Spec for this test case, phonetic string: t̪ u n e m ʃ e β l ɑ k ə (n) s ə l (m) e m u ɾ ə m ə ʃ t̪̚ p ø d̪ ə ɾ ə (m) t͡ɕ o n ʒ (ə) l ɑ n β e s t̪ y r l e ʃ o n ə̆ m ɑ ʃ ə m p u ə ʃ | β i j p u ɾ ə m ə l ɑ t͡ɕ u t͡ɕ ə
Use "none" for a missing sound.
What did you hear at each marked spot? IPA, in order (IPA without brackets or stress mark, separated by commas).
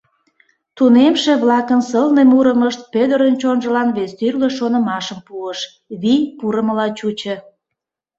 n, n, n, ə